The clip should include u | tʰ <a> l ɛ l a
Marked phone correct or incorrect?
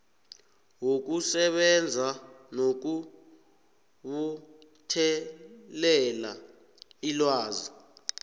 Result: incorrect: ɛ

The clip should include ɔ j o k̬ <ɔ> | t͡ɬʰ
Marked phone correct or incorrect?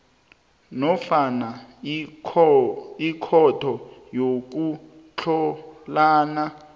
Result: incorrect: u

